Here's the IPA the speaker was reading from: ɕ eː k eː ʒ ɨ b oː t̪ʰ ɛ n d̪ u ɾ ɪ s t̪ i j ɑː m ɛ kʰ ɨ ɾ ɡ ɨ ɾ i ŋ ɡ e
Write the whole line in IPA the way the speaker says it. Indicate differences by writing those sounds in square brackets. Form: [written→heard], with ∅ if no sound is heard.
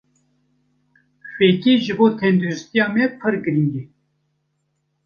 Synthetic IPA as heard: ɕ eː k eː ʒ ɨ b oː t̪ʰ ɛ n d̪ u ɾ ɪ s t̪ i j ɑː m ɛ [kʰ→pʰ] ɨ ɾ ɡ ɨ ɾ i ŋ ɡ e